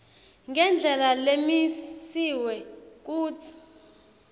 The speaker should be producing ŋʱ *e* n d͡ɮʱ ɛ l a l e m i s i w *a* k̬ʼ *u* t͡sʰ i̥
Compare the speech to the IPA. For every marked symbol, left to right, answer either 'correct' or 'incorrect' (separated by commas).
incorrect, incorrect, incorrect